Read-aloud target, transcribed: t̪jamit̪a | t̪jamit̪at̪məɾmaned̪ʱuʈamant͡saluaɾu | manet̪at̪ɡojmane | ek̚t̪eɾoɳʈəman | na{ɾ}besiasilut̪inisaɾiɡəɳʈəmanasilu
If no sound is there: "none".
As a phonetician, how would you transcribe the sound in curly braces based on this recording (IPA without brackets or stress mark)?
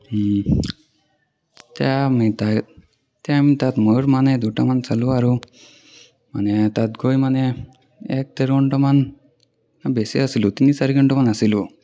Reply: none